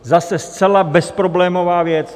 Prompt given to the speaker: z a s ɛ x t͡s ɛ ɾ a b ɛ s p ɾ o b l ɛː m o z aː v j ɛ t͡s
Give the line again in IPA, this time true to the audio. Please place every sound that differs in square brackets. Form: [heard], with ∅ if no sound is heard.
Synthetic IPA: z a s ɛ [s] t͡s ɛ [l] a b ɛ s p ɾ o b l ɛː m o [v] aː v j ɛ t͡s